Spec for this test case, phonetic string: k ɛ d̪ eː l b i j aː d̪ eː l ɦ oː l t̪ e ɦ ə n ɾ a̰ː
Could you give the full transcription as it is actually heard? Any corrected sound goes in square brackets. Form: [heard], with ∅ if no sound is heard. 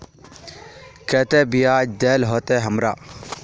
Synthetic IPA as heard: k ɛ [t̪] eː [∅] b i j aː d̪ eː l ɦ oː [∅] t̪ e ɦ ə [m] ɾ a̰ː